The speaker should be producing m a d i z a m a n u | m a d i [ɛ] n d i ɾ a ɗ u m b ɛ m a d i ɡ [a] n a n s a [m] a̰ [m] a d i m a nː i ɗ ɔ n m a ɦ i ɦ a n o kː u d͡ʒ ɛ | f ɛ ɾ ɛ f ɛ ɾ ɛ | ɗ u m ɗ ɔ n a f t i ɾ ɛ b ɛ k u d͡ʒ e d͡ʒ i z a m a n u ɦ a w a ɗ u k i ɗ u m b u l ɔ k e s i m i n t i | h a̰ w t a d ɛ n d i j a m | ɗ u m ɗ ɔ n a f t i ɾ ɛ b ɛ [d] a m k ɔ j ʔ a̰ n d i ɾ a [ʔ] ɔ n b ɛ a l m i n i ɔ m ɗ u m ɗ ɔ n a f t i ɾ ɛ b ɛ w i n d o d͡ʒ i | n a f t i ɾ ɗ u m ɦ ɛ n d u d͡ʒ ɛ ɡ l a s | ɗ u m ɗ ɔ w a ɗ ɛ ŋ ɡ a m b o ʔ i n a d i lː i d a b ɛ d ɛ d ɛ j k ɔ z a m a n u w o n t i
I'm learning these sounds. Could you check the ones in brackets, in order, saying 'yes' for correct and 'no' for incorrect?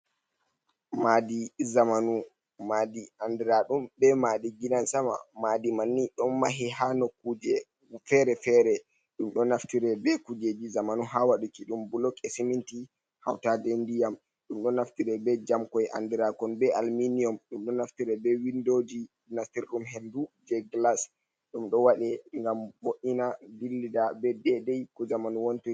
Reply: no, no, yes, yes, no, no

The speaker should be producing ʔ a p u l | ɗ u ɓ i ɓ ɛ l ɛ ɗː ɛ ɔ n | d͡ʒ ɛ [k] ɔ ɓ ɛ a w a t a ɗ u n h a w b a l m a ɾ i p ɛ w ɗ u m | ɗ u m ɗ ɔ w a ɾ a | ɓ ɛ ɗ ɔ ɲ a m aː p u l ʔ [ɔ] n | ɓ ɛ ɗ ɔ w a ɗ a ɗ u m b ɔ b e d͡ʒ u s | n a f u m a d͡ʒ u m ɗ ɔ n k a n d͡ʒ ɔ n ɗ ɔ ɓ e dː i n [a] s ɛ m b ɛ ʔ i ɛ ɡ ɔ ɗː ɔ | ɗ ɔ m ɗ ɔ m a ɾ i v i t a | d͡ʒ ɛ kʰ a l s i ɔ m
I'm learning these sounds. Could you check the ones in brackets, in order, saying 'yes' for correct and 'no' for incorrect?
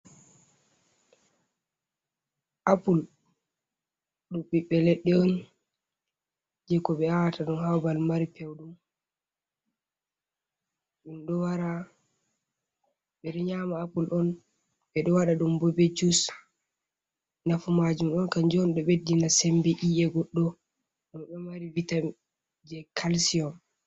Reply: yes, yes, yes

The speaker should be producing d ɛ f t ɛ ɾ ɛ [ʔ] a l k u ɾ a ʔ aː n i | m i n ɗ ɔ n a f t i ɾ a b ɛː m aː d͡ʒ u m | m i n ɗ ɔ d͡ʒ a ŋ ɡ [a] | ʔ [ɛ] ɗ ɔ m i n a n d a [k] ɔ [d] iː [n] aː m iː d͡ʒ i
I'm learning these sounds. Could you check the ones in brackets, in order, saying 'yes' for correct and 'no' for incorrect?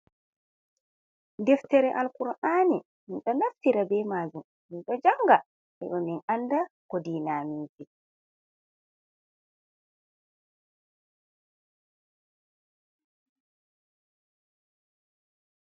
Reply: yes, yes, yes, yes, yes, yes

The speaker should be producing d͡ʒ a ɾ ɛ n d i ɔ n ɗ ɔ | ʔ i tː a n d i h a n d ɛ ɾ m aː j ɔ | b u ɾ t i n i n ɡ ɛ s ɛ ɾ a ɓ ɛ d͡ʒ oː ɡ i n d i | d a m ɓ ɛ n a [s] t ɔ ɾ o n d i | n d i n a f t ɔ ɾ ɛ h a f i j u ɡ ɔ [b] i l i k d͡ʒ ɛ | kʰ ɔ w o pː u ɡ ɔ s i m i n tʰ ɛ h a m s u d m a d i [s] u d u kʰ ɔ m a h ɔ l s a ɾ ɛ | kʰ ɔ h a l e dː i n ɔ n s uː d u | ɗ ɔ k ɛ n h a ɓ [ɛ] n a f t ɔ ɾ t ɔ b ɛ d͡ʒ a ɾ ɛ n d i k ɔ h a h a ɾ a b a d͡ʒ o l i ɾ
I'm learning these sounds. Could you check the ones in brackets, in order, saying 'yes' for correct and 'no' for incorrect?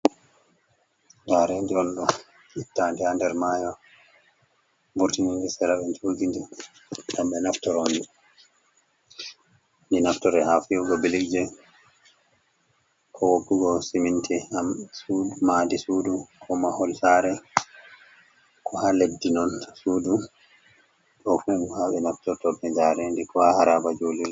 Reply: no, yes, yes, yes

